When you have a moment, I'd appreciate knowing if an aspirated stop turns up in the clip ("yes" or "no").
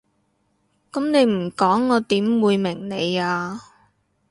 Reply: no